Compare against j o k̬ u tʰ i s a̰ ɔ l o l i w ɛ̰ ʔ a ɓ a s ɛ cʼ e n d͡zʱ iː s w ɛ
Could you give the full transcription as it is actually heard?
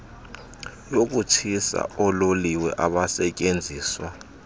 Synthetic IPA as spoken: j o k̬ u tʰ i s a̰ ɔ l o l i w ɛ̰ ʔ a ɓ a s ɛ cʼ e n d͡zʱ iː s w a